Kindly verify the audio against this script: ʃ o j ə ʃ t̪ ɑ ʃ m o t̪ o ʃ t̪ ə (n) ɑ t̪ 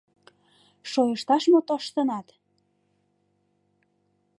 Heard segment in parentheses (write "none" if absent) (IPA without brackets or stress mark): n